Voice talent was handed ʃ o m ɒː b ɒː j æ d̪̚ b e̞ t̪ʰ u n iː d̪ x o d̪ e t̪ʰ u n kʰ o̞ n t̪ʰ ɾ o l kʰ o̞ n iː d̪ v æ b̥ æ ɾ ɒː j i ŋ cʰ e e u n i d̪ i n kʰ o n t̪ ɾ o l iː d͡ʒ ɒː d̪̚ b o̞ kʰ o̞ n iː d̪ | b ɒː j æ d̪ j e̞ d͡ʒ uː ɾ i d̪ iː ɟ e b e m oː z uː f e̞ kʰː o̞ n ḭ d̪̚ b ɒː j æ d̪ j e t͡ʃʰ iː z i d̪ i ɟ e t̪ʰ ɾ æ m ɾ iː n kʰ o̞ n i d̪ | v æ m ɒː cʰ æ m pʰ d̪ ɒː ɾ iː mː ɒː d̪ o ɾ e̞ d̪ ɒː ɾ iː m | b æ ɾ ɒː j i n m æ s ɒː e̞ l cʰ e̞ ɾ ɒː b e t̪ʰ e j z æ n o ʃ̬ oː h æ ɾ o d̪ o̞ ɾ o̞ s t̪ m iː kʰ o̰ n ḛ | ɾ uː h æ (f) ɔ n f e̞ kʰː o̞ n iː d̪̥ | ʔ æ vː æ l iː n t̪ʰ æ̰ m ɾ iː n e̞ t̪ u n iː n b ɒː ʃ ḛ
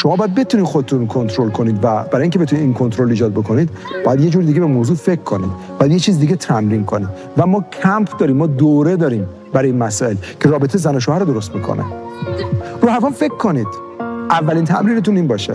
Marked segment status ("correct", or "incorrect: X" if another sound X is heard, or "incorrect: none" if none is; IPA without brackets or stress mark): correct